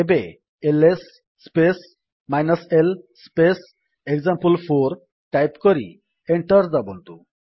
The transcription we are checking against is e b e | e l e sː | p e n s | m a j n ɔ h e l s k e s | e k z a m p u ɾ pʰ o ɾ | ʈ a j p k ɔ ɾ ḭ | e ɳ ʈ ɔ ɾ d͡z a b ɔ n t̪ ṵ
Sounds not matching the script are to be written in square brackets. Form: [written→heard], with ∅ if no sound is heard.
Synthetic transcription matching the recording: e b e | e l e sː | p e [n→∅] s | m a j n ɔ [h→s] e l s [k→p] e s | e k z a m p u [ɾ→l] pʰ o ɾ | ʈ a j p k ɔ ɾ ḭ | e ɳ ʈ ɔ ɾ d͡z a b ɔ n t̪ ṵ